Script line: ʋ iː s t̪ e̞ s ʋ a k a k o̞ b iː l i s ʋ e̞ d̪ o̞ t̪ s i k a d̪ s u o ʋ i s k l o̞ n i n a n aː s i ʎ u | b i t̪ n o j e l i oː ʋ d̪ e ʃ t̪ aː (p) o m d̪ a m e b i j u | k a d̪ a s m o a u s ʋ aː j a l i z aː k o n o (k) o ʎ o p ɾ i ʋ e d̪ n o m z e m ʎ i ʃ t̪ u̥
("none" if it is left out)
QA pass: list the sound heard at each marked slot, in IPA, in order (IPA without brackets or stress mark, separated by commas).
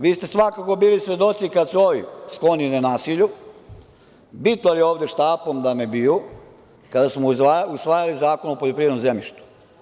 p, p